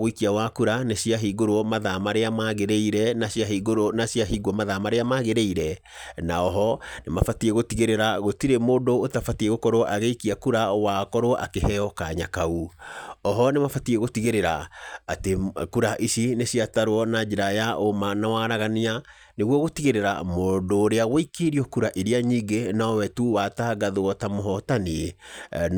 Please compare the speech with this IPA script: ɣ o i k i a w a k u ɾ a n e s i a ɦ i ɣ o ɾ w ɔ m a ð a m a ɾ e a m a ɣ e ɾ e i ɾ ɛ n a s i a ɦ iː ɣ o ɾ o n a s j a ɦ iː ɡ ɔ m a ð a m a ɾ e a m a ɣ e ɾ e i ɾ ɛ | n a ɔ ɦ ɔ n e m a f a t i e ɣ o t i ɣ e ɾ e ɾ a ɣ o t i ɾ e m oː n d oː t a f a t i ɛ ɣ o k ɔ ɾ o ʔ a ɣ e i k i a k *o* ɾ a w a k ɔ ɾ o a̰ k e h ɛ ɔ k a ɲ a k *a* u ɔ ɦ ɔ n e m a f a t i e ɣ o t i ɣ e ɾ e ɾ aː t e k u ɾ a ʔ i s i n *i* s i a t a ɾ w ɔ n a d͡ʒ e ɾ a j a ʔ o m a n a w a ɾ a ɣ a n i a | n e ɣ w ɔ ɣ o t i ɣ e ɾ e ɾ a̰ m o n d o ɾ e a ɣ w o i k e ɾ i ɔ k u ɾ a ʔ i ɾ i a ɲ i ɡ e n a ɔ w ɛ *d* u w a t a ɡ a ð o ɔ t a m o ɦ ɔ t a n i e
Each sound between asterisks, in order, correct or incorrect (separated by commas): incorrect, correct, incorrect, incorrect